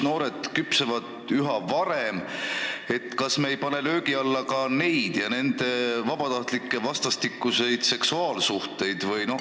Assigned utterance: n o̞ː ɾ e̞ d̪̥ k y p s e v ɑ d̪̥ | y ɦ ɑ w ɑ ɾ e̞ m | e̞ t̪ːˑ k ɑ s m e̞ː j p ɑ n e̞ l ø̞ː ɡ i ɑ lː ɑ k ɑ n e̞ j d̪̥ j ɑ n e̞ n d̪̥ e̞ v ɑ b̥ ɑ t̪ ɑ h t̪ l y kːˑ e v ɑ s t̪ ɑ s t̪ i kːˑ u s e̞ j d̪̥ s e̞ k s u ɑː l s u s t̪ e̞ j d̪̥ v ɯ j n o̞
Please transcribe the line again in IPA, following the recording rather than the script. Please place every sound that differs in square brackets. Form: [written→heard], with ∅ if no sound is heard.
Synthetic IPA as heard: n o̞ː ɾ e̞ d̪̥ k y p s e v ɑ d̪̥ | y ɦ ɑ [w→v] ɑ ɾ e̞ m | e̞ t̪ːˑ k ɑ s m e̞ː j p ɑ n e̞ l ø̞ː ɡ i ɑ lː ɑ k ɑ n e̞ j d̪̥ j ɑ n e̞ n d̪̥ e̞ v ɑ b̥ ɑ t̪ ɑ h t̪ l [y→i] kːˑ e v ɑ s t̪ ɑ s t̪ i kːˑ u s e̞ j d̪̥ s e̞ k s u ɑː l s u [s→h] t̪ e̞ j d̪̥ v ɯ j n o̞